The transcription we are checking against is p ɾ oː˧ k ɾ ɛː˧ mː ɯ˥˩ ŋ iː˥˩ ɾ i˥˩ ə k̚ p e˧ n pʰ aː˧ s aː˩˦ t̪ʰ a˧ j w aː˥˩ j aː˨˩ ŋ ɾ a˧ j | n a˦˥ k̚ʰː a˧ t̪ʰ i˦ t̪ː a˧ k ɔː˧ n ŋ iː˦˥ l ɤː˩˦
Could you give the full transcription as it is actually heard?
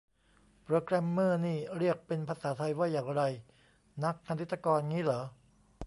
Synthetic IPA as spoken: p ɾ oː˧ k ɾ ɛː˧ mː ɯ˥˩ n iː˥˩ ɾ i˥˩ ə k̚ p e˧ n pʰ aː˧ s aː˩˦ t̪ʰ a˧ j w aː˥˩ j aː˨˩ ŋ ɾ a˧ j | n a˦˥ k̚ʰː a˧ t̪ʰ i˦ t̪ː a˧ k ɔː˧ n ŋ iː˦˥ l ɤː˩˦